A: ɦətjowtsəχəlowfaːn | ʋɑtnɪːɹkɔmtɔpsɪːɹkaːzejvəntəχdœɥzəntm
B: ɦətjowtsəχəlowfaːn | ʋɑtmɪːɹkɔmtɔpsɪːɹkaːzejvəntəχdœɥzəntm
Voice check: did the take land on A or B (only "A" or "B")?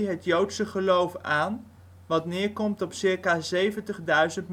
A